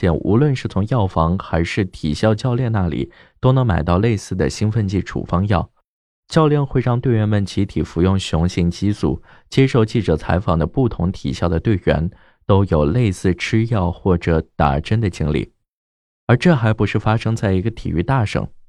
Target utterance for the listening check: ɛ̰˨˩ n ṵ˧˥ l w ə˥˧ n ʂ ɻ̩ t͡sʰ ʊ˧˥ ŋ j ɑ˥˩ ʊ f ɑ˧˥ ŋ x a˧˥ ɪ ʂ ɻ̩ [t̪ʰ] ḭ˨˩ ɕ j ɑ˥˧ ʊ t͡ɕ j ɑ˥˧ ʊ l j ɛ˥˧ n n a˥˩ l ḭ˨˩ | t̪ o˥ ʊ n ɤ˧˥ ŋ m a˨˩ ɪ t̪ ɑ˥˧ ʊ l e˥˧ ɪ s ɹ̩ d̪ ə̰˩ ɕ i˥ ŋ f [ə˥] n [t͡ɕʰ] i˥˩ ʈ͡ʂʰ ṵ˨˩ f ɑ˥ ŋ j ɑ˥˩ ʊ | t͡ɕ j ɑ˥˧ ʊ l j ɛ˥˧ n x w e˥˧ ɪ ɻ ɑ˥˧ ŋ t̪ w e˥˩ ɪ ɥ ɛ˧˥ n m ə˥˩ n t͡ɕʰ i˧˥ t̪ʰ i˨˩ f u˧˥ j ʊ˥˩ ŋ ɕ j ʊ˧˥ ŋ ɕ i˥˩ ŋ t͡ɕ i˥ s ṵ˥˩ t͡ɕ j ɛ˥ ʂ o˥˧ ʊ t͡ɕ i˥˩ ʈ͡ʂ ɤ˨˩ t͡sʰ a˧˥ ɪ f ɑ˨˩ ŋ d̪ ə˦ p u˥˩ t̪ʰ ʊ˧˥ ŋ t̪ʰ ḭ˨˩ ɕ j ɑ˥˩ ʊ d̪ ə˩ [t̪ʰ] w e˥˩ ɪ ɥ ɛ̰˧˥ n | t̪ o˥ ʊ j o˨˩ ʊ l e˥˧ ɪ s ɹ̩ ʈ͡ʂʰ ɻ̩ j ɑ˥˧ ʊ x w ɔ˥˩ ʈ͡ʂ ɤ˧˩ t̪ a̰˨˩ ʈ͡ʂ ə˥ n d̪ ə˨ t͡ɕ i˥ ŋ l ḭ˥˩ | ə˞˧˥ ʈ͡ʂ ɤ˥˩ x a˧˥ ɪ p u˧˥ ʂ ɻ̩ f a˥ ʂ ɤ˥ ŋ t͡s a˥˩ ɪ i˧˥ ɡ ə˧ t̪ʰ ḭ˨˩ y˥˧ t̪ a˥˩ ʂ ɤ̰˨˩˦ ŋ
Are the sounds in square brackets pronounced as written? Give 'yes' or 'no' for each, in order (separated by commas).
yes, no, no, no